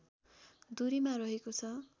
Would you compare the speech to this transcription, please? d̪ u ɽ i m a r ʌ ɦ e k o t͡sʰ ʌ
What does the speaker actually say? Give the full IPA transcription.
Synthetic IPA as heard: d̪ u ɾ i m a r ʌ ɦ e k o t͡sʰ ʌ